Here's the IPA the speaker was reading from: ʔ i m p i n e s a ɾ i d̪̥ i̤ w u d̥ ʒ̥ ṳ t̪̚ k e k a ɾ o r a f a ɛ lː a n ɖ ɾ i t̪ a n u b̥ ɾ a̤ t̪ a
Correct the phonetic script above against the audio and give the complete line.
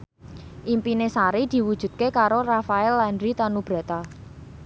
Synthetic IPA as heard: ʔ i m p i n e s a ɾ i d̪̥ i̤ w u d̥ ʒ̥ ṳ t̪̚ k e k a ɾ o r a f a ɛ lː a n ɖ ɾ i t̪ a n u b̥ ɾ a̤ t̪ a